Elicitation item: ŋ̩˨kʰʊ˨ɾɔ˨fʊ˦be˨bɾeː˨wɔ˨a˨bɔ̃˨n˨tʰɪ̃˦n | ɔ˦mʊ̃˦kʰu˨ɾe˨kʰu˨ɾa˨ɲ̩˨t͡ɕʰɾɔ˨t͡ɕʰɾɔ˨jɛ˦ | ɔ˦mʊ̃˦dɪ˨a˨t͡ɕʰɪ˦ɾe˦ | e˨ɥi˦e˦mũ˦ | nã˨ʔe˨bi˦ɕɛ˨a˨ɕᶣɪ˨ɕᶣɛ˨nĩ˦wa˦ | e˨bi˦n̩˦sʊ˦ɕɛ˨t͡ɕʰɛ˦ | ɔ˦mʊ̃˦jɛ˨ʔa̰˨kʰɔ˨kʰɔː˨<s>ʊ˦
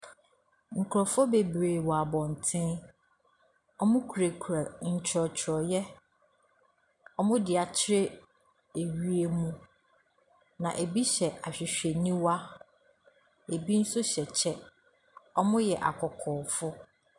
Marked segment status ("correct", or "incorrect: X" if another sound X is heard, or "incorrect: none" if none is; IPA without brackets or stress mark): incorrect: f